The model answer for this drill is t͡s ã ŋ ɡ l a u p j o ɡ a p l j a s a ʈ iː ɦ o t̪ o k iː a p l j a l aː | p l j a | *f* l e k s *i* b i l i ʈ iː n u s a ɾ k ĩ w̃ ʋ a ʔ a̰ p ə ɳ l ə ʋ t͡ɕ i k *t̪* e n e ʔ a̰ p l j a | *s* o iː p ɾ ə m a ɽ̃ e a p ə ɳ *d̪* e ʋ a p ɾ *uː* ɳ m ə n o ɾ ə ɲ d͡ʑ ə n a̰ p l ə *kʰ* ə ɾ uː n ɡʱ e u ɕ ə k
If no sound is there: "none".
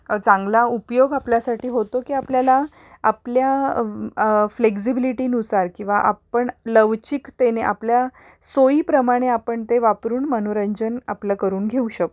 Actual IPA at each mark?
f, i, t̪, s, t̪, uː, k

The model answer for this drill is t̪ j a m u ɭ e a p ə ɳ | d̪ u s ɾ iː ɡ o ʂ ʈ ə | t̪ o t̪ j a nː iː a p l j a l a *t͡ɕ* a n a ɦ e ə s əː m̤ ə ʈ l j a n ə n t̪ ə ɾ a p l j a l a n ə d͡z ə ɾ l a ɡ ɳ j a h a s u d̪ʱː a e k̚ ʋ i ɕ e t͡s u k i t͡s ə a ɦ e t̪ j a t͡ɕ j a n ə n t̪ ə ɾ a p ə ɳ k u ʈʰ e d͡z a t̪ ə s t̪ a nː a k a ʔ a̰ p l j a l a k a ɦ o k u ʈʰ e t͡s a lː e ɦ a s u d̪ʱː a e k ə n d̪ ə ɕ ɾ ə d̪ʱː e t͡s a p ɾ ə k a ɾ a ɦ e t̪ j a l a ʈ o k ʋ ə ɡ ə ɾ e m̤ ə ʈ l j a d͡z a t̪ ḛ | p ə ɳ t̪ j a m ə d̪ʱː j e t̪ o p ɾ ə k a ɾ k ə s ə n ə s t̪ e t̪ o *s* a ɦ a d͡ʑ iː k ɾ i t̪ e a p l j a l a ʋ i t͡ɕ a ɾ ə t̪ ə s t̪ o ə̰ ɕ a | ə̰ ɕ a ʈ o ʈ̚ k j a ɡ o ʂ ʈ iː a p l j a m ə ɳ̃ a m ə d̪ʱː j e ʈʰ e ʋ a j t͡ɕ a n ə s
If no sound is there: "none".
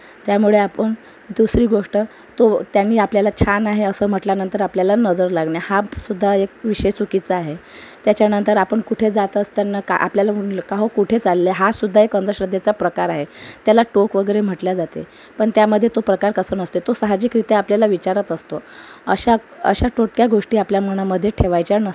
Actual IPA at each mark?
t͡ɕʰ, s

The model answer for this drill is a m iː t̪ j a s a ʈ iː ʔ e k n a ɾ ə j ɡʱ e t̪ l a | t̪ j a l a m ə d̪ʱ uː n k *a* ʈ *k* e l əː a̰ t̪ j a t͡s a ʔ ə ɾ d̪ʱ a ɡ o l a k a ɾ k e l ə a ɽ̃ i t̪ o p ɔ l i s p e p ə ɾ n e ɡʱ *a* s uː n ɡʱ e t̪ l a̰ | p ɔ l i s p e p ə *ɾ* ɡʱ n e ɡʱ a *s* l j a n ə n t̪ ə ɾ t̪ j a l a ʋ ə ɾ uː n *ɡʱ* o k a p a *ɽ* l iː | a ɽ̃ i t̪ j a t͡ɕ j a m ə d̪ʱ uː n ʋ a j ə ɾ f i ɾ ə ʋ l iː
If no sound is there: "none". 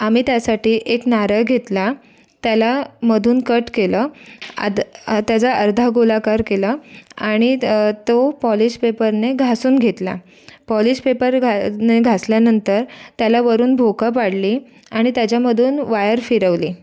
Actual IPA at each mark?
ə, k, a, ɾ, s, bʱ, ɽ

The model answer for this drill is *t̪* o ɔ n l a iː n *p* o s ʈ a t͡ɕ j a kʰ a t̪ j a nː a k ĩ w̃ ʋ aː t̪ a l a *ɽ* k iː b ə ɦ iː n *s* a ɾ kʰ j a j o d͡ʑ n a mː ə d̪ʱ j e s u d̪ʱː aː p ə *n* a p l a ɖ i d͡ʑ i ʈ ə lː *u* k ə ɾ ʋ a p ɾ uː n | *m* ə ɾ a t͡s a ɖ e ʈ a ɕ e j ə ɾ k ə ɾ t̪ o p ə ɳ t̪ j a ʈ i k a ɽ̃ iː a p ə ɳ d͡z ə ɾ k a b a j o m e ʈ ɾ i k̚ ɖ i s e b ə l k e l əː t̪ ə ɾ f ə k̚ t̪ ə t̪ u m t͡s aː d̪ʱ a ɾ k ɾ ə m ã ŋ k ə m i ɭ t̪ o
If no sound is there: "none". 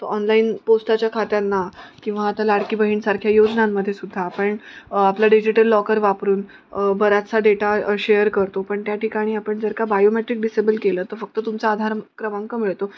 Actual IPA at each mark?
t̪, p, ɽ, s, ɳ, ɔ, b

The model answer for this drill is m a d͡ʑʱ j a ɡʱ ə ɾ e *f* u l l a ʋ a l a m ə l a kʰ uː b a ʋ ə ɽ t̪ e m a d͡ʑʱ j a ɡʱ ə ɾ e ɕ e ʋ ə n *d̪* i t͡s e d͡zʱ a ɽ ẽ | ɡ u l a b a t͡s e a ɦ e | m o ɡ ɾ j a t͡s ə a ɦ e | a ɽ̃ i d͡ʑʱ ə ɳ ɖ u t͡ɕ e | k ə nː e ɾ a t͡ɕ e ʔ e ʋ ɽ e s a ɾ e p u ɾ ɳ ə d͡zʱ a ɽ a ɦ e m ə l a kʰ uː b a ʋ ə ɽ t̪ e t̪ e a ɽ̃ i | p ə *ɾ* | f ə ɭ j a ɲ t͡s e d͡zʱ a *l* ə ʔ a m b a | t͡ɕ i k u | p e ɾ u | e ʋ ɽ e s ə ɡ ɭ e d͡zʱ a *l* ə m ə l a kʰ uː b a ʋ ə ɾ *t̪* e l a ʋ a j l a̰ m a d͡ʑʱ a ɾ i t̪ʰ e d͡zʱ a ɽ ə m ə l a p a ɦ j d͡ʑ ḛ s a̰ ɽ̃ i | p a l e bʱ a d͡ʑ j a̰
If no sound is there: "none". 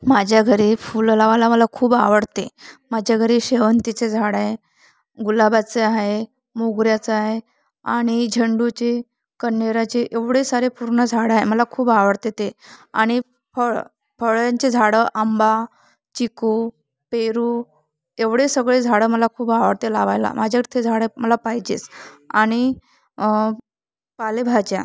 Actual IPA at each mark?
f, t̪, ɭ, ɽ, ɽ, t̪

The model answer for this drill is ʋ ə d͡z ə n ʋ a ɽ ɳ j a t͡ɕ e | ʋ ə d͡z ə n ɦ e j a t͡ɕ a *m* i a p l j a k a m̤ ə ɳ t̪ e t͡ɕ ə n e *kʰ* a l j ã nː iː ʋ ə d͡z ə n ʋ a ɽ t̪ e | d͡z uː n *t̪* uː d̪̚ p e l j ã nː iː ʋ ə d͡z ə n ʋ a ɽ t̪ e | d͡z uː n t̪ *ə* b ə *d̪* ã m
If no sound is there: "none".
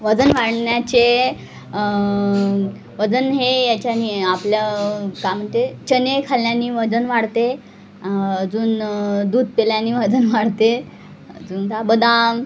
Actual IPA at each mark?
n, kʰ, d̪, a, d̪

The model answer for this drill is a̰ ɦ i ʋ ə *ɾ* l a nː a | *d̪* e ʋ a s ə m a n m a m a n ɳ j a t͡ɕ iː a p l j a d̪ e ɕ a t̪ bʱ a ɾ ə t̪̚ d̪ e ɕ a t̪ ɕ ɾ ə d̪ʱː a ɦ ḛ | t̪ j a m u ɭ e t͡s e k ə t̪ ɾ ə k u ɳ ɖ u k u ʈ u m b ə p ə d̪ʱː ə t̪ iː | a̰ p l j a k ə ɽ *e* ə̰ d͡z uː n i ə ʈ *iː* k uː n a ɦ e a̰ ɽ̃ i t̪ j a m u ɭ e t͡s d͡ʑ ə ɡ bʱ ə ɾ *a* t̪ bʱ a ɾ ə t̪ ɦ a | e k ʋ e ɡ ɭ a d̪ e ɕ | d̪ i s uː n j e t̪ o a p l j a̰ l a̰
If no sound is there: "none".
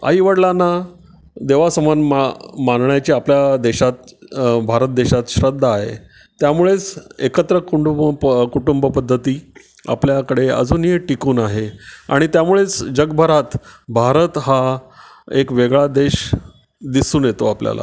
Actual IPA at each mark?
ɽ, d̪, e, i, a

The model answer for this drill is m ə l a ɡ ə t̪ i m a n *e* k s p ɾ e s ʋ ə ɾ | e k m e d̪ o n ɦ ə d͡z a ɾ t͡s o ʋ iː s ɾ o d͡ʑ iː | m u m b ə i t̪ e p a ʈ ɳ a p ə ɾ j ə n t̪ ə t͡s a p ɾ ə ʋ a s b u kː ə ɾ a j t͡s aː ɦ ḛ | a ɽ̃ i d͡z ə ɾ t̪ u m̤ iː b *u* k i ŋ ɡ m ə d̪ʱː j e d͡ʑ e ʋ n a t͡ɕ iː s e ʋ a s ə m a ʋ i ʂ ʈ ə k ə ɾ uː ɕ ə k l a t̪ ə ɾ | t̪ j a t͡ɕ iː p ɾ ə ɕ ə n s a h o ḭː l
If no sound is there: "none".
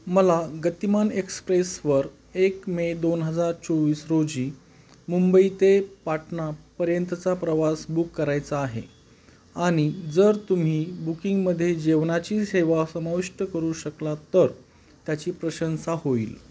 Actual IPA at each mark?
e, u

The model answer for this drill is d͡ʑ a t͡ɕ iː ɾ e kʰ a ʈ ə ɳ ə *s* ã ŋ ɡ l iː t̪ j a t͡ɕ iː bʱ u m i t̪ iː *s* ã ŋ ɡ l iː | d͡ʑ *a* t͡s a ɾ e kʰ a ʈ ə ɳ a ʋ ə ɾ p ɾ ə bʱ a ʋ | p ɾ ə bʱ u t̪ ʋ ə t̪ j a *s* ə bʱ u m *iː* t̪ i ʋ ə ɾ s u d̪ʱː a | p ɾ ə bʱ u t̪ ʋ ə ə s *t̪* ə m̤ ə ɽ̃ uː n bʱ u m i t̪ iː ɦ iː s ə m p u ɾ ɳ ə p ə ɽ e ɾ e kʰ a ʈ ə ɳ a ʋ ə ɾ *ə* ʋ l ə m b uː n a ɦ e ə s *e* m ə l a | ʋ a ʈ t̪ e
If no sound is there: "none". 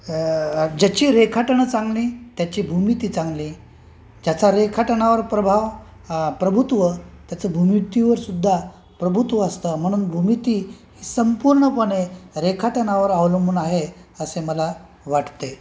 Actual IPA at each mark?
t͡s, t͡s, a, t͡s, i, t̪, a, e

